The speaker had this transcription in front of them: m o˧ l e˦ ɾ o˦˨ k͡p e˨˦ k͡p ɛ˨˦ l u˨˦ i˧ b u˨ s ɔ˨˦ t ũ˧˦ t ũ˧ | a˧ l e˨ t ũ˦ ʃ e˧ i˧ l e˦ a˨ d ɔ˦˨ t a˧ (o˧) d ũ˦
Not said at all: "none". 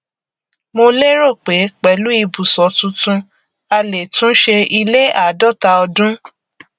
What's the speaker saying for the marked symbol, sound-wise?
ɔ˧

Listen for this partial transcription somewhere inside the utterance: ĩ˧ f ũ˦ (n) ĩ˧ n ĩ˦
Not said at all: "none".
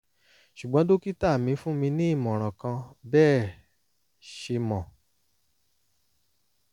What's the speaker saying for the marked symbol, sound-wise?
m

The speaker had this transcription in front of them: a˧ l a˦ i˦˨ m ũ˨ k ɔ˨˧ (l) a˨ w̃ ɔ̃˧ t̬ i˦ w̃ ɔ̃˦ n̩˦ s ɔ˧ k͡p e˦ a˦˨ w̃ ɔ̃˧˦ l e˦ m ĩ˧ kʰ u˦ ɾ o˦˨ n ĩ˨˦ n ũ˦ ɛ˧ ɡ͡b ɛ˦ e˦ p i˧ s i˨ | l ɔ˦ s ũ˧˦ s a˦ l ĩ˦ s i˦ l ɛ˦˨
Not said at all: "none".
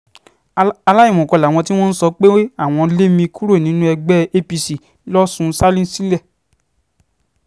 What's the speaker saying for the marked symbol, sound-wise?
l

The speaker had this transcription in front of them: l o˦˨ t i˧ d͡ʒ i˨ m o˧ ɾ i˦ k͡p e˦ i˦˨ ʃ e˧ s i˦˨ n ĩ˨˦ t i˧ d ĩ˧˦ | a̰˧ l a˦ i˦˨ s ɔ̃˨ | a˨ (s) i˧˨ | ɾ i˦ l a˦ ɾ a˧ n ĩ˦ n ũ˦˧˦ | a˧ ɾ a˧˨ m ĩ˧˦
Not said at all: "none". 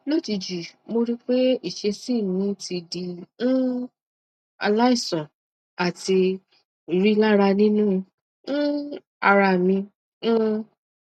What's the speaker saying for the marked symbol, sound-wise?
t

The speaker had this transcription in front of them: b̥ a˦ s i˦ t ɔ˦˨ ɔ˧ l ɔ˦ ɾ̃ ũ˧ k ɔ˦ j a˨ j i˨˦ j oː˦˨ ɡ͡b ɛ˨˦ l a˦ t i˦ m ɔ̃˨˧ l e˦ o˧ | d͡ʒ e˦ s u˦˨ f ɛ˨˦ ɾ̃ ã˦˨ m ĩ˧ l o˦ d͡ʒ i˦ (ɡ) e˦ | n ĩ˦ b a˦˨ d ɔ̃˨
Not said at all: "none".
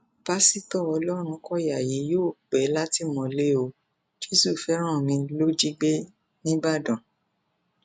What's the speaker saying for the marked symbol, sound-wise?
ɡ͡b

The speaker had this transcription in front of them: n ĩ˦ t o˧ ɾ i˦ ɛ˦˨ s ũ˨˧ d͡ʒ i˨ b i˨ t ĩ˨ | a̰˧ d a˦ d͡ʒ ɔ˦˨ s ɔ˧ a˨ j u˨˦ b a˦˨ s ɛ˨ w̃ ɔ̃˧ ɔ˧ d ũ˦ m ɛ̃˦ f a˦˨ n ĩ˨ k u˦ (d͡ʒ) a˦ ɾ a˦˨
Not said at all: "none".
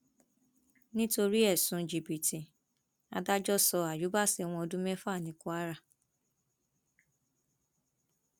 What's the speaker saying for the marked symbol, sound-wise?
none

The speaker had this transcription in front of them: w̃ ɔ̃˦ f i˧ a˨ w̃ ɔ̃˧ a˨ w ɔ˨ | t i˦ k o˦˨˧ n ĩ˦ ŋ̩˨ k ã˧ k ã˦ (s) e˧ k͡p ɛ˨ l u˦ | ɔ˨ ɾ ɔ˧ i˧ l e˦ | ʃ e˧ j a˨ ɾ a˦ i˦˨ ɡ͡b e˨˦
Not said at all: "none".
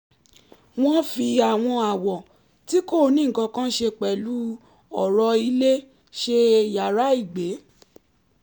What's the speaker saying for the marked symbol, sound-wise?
ʃ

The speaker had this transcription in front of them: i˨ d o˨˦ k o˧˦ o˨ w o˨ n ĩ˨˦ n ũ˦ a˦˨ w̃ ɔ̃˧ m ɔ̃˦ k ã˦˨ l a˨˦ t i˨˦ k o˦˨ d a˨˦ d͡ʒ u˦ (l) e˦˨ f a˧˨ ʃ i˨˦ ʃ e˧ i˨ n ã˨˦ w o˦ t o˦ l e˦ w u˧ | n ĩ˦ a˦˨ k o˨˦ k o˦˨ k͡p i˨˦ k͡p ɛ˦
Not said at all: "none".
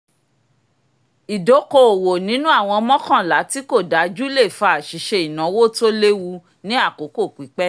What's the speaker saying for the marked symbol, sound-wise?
l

